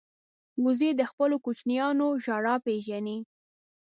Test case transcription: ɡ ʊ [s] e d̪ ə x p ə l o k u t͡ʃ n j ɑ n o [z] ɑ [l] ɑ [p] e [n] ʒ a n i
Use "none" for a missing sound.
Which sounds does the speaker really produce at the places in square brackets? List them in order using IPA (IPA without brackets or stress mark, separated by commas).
z, ʒ, ɽ, p, none